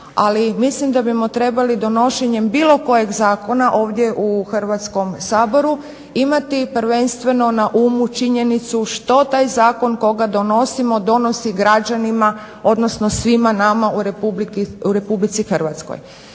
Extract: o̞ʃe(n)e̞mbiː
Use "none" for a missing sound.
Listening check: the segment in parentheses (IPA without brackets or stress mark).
ɲ